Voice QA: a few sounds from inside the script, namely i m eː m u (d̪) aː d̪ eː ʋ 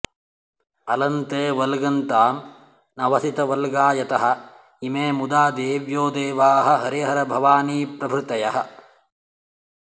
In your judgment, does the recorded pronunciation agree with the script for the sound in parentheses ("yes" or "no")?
yes